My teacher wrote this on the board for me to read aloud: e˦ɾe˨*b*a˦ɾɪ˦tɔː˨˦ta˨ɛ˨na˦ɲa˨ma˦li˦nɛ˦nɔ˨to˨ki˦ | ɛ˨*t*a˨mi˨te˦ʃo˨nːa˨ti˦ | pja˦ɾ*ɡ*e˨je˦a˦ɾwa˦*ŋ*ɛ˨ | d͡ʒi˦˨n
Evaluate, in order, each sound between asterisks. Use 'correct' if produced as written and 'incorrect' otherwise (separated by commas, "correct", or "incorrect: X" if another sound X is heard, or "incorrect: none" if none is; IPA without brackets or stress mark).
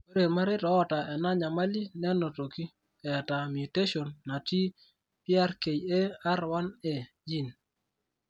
incorrect: m, correct, incorrect: k, incorrect: n